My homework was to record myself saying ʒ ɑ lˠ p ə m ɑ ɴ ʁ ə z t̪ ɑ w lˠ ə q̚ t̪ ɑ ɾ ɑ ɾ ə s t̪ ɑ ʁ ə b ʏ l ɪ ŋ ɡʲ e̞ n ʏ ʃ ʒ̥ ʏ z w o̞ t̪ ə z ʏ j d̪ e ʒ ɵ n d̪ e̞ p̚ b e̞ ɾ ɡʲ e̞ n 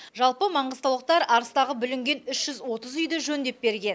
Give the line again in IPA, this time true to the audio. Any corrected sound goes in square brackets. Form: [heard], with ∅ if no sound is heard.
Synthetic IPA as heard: ʒ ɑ lˠ p ə m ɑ ɴ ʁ ə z t̪ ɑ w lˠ ə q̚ t̪ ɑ ɾ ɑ ɾ ə s t̪ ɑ ʁ ə b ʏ l ɪ ŋ ɡʲ e̞ n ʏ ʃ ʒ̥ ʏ z w o̞ t̪ ə z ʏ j d̪ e ʒ ɵ n d̪ e̞ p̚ b e̞ ɾ ɡʲ e̞ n